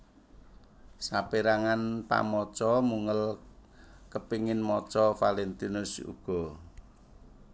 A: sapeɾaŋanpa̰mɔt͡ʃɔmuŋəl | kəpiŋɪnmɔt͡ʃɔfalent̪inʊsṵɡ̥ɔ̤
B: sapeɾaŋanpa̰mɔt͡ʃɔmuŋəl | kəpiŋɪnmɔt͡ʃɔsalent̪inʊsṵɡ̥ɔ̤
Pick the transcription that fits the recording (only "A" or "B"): A